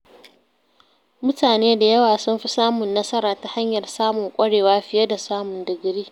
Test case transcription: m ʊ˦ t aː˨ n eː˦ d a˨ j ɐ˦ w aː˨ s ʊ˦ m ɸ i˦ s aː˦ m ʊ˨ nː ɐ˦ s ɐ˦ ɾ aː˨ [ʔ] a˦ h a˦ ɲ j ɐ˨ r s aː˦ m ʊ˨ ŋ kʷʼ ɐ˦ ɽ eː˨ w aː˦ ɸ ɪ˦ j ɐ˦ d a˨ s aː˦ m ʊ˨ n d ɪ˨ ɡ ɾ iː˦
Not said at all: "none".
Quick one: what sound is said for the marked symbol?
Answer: t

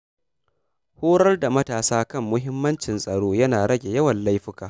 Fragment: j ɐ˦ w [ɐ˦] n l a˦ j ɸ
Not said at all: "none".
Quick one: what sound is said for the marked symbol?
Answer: ɐ˨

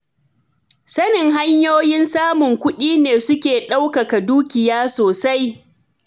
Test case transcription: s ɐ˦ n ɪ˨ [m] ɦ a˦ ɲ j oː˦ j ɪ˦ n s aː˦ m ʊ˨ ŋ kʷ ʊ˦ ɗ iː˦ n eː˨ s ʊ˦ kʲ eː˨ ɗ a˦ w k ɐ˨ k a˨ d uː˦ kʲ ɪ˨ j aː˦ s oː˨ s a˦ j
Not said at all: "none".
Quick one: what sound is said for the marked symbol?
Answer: ŋ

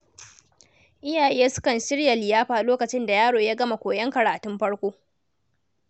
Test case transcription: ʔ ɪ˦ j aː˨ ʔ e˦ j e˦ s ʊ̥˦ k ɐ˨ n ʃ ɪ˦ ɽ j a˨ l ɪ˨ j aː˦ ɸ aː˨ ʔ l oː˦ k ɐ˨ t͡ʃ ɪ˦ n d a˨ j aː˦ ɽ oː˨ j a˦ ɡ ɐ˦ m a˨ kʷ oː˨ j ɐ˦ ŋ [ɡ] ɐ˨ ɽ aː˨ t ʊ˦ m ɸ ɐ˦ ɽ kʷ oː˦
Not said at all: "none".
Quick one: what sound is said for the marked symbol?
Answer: k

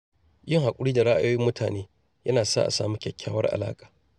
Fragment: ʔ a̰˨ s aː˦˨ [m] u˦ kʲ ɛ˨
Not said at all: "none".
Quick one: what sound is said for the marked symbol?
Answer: m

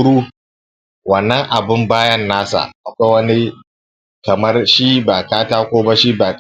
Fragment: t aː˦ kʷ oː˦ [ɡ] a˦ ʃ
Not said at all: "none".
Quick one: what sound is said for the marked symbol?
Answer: b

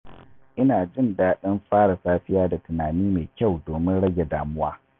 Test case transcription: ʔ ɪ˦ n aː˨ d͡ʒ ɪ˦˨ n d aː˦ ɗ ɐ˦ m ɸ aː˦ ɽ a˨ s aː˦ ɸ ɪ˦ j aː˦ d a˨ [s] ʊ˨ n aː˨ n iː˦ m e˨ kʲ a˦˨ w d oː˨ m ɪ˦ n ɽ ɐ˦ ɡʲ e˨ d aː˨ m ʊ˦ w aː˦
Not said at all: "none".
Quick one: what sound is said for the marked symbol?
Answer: t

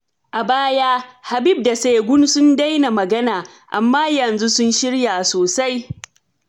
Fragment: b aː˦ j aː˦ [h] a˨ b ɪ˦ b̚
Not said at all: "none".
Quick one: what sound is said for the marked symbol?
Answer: h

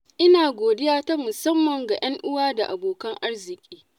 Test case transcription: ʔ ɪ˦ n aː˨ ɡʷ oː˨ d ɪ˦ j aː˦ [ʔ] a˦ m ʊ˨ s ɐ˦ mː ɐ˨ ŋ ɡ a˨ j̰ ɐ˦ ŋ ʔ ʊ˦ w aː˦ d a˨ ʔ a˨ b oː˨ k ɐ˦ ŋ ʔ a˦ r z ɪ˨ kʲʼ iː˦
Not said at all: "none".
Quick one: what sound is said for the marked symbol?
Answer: t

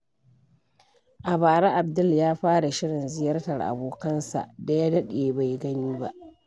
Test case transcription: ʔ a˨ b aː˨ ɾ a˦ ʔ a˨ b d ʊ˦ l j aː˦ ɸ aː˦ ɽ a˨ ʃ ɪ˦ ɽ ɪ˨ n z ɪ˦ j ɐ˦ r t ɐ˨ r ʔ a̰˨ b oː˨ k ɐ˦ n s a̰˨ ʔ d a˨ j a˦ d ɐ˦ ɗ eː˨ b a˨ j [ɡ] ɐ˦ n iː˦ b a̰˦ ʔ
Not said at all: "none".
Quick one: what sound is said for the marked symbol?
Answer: ɡ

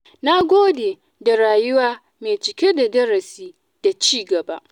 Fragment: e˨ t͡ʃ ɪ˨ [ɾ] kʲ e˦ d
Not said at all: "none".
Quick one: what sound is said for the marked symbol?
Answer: none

